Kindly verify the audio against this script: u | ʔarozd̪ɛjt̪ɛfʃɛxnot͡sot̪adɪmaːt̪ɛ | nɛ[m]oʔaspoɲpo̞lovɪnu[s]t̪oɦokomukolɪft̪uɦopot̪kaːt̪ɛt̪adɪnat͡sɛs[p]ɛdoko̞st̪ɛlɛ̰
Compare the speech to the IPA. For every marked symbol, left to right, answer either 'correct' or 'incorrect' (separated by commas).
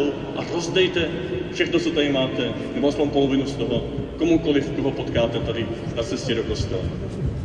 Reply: incorrect, correct, incorrect